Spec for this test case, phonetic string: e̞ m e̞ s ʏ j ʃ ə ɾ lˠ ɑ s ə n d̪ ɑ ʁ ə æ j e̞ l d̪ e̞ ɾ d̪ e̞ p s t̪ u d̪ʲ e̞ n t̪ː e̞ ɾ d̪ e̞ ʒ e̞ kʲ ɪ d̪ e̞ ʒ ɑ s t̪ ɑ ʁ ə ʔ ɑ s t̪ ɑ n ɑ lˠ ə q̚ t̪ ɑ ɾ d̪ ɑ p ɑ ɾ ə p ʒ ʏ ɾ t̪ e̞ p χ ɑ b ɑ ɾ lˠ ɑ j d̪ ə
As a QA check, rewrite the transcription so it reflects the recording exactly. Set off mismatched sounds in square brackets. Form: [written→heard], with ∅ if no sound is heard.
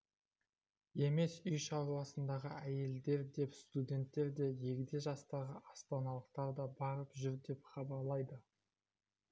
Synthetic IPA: e̞ m e̞ s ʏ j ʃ [ə→ɑ] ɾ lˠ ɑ s ə n d̪ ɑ ʁ ə æ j e̞ l d̪ e̞ ɾ d̪ e̞ p s t̪ u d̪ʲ e̞ n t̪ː e̞ ɾ d̪ e̞ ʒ e̞ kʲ ɪ d̪ e̞ ʒ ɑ s t̪ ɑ ʁ ə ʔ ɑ s t̪ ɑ n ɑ lˠ ə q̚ t̪ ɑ ɾ d̪ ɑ [p→b] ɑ ɾ ə p ʒ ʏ ɾ [t̪→d̪] e̞ p χ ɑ b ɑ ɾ lˠ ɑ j d̪ ə